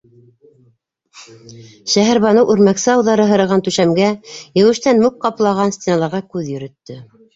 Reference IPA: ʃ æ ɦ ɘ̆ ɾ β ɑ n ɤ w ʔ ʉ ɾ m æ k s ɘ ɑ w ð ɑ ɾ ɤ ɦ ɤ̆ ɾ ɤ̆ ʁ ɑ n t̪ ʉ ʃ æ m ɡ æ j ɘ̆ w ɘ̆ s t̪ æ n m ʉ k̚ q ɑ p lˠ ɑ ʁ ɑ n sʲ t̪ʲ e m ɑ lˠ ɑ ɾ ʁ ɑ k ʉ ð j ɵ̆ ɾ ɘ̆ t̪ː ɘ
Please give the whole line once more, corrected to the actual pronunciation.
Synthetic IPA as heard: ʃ æ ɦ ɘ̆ ɾ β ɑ n ɤ w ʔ ʉ ɾ m æ k s ɘ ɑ w ð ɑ ɾ ɤ ɦ ɤ̆ ɾ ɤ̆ ʁ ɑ n t̪ ʉ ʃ æ m ɡ æ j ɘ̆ w ɘ̆ ʃ t̪ æ n m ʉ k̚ q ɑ p lˠ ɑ ʁ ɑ n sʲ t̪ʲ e n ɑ lˠ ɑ ɾ ʁ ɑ k ʉ ð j ɵ̆ ɾ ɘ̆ t̪ː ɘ